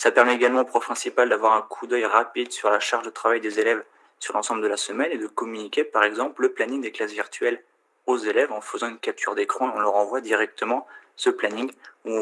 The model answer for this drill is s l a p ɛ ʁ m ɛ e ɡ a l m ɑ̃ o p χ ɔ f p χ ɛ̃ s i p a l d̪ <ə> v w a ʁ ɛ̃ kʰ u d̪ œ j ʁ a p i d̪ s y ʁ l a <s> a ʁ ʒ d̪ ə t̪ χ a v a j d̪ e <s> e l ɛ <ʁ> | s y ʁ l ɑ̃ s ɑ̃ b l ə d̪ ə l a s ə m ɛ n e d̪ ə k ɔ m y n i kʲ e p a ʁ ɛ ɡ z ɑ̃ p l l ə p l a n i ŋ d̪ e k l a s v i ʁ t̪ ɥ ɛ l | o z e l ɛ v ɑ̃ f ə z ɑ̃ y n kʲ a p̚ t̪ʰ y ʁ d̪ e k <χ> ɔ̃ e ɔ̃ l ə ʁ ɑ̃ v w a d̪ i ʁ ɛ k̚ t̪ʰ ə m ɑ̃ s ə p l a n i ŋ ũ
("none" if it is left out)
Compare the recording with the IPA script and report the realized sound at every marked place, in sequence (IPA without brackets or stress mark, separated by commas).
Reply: a, ʃ, z, v, χ